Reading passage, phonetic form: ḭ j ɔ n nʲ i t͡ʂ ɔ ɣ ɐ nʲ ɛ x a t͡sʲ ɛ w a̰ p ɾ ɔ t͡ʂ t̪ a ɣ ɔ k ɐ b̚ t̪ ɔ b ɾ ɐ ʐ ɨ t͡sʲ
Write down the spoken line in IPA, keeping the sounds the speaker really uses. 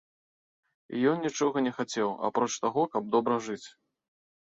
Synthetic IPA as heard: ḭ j ɔ n nʲ i t͡ʂ ɔ ɣ ɐ nʲ ɛ x a t͡sʲ ɛ w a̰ p ɾ ɔ t͡ʂ t̪ a ɣ ɔ k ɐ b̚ d̪ ɔ b ɾ ɐ ʐ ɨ t͡sʲ